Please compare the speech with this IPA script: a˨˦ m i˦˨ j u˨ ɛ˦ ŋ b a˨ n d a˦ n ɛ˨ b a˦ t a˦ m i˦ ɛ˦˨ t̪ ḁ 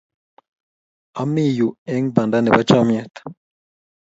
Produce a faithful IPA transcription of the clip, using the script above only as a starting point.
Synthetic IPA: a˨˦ m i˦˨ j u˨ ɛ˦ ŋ b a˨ n d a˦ n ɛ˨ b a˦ t͡ʃ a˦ m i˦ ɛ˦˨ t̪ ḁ